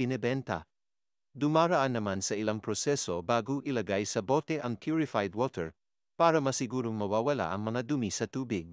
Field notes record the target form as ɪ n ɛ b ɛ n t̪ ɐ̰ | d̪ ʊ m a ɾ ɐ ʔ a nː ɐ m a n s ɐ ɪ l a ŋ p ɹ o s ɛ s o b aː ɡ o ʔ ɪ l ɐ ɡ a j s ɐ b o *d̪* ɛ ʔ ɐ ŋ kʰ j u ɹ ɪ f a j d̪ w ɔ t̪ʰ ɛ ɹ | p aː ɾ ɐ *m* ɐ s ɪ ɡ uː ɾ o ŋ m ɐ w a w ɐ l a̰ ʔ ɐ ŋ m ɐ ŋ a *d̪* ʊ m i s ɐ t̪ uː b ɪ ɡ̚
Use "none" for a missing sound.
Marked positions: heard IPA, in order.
t̪, m, d̪

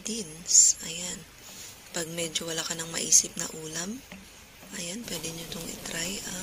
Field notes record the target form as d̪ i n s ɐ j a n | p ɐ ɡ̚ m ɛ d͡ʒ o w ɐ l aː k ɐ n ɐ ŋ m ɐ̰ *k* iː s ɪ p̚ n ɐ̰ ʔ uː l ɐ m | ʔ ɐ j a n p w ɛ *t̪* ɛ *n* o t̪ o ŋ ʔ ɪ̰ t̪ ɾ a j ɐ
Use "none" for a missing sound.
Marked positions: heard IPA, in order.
ʔ, d̪, ɲ

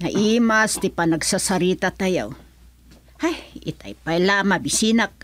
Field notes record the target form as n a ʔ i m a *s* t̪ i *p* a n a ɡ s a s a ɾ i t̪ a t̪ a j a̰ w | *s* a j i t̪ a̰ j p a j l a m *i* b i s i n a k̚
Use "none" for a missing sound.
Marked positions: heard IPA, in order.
s, p, h, a

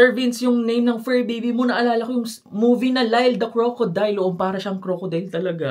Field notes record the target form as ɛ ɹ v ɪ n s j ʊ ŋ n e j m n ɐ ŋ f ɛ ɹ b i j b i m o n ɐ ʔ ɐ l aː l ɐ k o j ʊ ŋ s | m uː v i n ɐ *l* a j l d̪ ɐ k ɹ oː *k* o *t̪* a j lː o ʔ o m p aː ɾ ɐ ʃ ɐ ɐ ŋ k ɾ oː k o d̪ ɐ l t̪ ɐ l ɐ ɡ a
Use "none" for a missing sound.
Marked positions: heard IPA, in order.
l, k, d̪

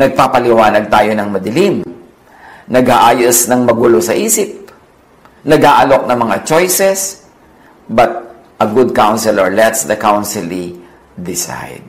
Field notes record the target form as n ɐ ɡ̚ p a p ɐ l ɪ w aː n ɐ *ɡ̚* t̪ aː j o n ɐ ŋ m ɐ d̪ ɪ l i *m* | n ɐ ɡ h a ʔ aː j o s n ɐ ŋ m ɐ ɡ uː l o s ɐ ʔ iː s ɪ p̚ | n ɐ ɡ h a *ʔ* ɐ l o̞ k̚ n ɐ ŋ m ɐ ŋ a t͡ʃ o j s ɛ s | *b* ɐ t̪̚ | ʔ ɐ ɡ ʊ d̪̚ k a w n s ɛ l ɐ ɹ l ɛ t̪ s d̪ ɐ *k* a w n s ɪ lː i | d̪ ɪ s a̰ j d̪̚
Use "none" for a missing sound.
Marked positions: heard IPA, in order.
ɡ̚, m, ʔ, b, k

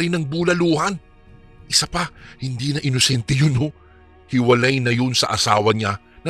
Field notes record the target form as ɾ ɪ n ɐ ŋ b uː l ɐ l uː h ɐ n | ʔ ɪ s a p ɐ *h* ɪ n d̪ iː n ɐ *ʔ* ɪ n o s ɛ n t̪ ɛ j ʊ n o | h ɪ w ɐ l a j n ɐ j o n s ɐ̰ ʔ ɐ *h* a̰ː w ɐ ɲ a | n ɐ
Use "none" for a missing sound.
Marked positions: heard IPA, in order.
h, ʔ, s

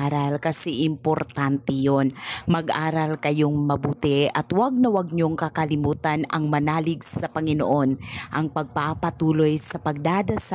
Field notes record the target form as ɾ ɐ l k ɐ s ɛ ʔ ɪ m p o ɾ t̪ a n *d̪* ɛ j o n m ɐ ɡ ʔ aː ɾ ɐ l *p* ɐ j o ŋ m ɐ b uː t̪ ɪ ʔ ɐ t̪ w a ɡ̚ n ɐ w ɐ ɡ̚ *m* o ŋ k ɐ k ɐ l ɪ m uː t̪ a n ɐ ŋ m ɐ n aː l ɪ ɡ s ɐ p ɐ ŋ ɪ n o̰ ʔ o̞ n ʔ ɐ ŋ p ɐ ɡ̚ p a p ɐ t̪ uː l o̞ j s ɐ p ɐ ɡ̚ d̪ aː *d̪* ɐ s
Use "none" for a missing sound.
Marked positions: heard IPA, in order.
t̪, k, ɲ, d̪

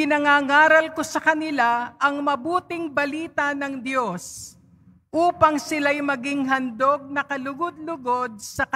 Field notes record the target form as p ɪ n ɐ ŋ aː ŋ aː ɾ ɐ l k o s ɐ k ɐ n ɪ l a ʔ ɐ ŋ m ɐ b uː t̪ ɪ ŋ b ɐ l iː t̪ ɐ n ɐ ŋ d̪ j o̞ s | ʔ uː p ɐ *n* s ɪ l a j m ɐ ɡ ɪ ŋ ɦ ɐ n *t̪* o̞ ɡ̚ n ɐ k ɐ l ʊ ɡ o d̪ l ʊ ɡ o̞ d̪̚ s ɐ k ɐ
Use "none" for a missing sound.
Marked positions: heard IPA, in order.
ŋ, d̪

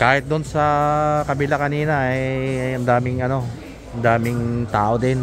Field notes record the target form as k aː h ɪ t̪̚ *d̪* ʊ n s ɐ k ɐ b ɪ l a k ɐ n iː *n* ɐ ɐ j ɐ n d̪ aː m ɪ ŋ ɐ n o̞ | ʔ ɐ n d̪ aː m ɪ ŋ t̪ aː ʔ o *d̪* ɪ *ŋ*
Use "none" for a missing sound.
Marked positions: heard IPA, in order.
d̪, n, d̪, n

